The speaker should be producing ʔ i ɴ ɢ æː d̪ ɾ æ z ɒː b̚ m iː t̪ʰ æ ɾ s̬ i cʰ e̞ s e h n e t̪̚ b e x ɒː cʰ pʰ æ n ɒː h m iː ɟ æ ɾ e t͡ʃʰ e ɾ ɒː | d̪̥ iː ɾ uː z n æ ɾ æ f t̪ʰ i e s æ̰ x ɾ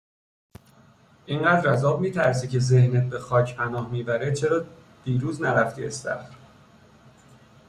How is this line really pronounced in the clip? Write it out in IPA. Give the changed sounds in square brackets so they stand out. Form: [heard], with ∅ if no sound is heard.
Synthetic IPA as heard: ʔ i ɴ ɢ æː d̪ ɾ æ z ɒː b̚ m iː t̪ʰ æ ɾ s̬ i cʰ e̞ [z] e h n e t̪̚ b e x ɒː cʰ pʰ æ n ɒː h m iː [b] æ ɾ e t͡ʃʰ e ɾ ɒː | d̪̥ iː ɾ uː z n æ ɾ æ f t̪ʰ i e s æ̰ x ɾ